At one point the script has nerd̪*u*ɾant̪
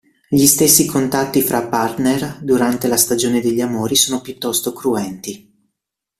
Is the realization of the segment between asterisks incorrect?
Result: no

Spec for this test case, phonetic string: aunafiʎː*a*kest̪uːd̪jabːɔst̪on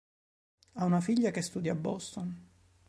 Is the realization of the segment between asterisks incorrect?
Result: no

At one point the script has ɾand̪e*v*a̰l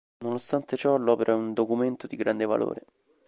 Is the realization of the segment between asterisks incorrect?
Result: no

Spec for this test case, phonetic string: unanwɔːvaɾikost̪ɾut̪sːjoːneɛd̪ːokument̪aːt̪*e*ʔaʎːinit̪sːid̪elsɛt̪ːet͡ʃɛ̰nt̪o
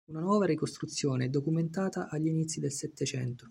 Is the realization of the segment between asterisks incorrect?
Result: yes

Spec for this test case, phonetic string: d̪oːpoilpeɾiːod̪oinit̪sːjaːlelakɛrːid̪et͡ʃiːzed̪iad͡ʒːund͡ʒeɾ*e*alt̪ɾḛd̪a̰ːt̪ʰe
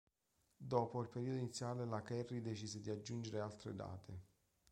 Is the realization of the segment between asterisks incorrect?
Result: no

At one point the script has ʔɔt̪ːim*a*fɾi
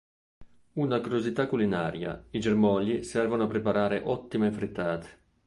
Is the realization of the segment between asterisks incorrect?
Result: yes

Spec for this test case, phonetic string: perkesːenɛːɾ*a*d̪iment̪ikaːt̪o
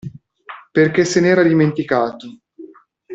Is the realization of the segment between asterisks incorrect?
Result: no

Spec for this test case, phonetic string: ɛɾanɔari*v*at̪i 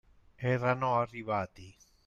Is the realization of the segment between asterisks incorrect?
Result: yes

